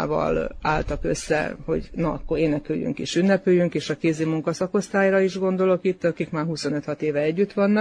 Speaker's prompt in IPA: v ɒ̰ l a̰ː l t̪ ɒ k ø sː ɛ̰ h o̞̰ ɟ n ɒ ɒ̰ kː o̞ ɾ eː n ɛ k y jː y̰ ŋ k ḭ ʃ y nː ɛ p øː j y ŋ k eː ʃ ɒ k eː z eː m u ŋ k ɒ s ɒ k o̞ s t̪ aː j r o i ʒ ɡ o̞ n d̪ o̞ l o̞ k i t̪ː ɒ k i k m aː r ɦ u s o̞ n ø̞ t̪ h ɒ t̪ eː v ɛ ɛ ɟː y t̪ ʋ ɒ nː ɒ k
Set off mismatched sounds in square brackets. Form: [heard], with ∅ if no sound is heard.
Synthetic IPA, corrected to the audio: v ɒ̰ l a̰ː l t̪ ɒ k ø sː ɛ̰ h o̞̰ ɟ n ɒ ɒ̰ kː o̞ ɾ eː n ɛ k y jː y̰ ŋ k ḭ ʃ y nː ɛ p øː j y ŋ k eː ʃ ɒ k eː z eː m u ŋ k ɒ s ɒ k o̞ s t̪ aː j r [ɒ] i ʒ ɡ o̞ n d̪ o̞ l o̞ k i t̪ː ɒ k i k m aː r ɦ u s o̞ n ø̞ t̪ h ɒ t̪ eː v ɛ ɛ ɟː y t̪ ʋ ɒ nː ɒ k